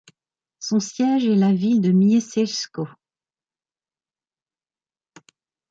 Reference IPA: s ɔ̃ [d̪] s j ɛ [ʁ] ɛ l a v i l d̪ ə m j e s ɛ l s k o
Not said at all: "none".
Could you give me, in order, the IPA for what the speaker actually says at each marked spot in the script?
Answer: none, ʒ

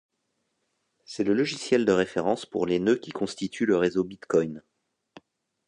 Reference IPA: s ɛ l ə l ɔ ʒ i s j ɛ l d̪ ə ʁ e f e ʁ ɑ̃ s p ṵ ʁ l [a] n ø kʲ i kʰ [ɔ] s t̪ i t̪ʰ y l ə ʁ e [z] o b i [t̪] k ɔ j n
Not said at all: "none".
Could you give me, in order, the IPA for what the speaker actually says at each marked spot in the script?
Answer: e, ɔ̃, z, t̪

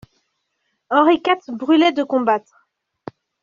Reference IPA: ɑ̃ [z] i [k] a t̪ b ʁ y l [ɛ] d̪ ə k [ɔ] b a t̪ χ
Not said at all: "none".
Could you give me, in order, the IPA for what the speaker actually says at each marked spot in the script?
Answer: ʁ, k, ɛ, ɔ̃

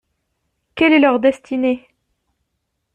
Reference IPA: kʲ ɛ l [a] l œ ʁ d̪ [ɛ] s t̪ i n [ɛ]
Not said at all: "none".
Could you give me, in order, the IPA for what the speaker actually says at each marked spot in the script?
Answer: ɛ, ɛ, e

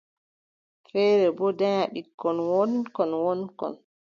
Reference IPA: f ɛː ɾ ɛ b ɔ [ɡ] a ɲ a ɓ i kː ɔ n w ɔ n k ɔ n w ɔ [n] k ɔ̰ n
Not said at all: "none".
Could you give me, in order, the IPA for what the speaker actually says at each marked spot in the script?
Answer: d, n

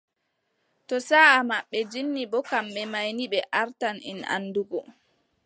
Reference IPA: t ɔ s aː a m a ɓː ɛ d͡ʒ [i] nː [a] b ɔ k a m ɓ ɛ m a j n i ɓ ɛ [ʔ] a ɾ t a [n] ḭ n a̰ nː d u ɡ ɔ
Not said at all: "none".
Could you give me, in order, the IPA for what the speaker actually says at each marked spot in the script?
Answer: i, i, ʔ, n

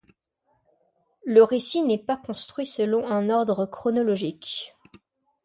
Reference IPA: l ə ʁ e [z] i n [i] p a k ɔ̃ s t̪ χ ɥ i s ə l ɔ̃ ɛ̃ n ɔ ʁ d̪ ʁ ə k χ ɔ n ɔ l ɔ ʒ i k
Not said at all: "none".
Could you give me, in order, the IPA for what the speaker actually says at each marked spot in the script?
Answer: s, ɛ

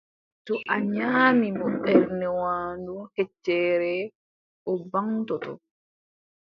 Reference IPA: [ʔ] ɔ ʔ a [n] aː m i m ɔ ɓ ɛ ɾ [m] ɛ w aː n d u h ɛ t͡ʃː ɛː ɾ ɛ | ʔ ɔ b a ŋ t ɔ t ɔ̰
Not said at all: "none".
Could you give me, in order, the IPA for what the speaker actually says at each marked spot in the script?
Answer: t, ɲ, n

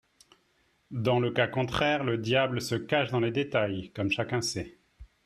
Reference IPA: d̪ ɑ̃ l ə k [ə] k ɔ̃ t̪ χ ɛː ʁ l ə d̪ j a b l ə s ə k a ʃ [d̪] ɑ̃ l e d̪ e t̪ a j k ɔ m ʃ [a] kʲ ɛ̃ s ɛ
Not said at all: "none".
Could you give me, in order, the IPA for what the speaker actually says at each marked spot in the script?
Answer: a, d̪, a

